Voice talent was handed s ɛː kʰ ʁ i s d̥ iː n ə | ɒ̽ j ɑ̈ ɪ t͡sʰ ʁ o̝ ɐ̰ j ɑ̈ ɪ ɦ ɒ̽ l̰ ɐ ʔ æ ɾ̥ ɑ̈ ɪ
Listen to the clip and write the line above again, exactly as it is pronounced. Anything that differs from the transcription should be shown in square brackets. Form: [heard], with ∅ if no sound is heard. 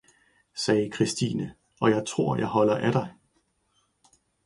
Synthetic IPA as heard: s ɛː kʰ ʁ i s d̥ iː n ə | ɒ̽ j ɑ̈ ɪ t͡sʰ ʁ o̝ ɐ̰ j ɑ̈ ɪ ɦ ɒ̽ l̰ ɐ ʔ æ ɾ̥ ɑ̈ ɪ

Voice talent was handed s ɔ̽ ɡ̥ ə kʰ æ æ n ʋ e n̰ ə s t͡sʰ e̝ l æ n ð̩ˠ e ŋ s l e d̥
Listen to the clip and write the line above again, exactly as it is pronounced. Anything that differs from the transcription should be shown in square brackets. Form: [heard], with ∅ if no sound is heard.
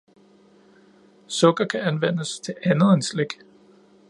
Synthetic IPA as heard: s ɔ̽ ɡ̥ [ɐ] kʰ æ æ n ʋ e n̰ ə s t͡sʰ e̝ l æ n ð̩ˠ e [n] s l e [ɡ̥]

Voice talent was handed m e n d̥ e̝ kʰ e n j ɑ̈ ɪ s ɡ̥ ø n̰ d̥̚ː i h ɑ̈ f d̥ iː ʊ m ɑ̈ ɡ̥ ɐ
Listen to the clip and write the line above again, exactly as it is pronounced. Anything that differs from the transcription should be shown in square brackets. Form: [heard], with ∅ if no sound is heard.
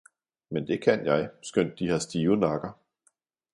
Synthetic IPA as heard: m e n d̥ e̝ kʰ [æ] n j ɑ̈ ɪ s ɡ̥ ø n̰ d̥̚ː i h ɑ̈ [s] d̥ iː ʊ [n] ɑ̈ ɡ̥ ɐ

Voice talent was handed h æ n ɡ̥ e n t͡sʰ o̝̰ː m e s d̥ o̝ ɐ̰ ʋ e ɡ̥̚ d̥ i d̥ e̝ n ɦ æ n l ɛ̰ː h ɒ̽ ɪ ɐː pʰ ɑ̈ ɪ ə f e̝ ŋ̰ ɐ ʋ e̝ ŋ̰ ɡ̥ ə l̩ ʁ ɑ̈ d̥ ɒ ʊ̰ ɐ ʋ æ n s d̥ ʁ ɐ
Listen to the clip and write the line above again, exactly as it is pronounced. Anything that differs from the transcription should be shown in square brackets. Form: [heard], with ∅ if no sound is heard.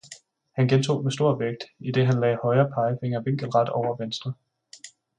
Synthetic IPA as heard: h æ n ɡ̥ e n t͡sʰ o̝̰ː m e s d̥ o̝ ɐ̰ ʋ e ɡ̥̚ d̥ i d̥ e̝ [∅] ɦ æ n l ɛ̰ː h ɒ̽ ɪ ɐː pʰ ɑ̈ ɪ ə f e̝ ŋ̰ ɐ ʋ e̝ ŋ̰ ɡ̥ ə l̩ ʁ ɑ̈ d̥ ɒ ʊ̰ ɐ ʋ [e] n s d̥ ʁ ɐ

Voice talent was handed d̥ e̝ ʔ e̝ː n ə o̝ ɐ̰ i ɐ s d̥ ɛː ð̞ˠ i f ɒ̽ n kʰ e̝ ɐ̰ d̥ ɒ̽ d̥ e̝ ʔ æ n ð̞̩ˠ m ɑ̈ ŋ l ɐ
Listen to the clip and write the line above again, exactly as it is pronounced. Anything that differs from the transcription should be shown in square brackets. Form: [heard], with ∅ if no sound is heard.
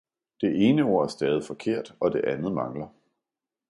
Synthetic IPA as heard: d̥ e̝ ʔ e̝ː n ə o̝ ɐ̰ [æ] ɐ s d̥ ɛː ð̞ˠ i f ɒ̽ [∅] kʰ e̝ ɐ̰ d̥ ɒ̽ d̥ e̝ ʔ æ n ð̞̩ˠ m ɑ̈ ŋ l ɐ

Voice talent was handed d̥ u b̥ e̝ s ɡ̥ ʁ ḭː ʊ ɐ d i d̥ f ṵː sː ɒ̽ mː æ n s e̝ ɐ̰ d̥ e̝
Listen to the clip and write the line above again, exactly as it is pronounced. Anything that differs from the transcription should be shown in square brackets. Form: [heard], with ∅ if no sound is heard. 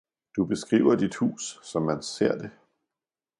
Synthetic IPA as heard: d̥ u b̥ e̝ s ɡ̥ ʁ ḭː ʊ ɐ d i d̥ [h] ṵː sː ɒ̽ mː æ n s e̝ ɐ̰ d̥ e̝

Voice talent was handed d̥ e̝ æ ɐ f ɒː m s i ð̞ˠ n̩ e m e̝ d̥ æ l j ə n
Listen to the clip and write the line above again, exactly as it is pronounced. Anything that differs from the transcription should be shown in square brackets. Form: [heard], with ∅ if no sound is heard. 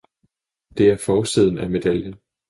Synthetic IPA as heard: d̥ e̝ æ ɐ f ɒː [∅] s i ð̞ˠ n̩ [æ] m e̝ d̥ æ l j ə n

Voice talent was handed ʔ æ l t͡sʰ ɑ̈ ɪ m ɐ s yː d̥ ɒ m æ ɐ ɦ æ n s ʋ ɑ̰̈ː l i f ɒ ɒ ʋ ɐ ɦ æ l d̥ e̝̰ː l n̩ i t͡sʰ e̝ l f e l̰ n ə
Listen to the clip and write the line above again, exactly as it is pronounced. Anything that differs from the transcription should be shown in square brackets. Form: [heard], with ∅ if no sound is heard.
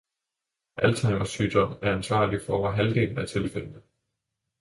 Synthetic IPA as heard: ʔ æ l t͡sʰ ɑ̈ ɪ m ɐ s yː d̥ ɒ m æ ɐ [∅] æ n s ʋ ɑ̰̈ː l i f ɒ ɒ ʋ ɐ ɦ æ l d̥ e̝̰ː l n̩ [æ] t͡sʰ e̝ l f e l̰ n ə

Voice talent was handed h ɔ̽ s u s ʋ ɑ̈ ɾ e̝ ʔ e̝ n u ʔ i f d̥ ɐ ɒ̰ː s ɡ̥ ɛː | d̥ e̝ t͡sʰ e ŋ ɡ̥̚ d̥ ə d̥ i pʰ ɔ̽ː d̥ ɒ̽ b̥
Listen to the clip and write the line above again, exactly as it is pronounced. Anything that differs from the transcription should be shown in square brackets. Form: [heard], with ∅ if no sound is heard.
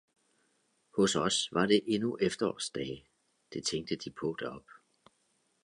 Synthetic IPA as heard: h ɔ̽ s [ɒ] s ʋ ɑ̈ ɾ e̝ ʔ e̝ n u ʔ [e] f d̥ ɐ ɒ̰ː s [d̥] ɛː | d̥ e̝ t͡sʰ e ŋ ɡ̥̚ d̥ ə d̥ i pʰ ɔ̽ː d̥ ɒ̽ b̥

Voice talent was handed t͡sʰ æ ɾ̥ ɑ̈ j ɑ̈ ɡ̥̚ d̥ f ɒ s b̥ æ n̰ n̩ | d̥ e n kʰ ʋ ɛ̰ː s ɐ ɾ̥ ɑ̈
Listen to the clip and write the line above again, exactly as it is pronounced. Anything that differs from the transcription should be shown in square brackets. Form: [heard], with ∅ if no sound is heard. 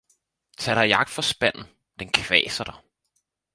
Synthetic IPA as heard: t͡sʰ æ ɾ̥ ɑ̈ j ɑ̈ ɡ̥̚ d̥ f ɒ s b̥ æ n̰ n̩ | d̥ e n kʰ ʋ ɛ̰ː s ɐ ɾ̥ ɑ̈

